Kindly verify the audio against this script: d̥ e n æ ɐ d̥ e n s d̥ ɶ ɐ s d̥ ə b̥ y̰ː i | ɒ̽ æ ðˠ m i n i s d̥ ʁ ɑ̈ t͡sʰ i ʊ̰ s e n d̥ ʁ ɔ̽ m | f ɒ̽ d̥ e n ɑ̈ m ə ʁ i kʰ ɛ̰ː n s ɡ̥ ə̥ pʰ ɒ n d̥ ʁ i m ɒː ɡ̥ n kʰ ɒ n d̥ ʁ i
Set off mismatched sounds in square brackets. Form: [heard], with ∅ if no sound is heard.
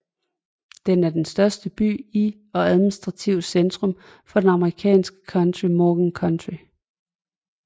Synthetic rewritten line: d̥ e n æ ɐ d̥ e n s d̥ ɶ ɐ s d̥ ə b̥ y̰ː i | ɒ̽ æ ðˠ m i n i s d̥ ʁ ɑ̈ t͡sʰ i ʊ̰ s e n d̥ ʁ ɔ̽ m | f ɒ̽ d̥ e n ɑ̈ m ə ʁ i kʰ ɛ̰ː n s ɡ̥ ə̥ [kʰ] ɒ n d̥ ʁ i m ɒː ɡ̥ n kʰ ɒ n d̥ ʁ i